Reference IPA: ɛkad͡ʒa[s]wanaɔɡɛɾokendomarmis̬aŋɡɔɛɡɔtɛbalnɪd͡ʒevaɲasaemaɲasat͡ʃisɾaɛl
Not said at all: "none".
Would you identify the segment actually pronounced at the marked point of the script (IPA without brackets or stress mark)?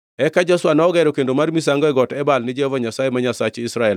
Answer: s